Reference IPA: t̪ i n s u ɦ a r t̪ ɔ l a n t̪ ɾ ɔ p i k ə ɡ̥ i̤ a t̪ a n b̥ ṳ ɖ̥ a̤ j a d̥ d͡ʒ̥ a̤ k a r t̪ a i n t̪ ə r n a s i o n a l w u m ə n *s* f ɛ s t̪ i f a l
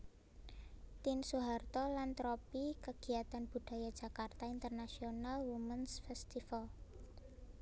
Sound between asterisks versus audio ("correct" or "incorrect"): correct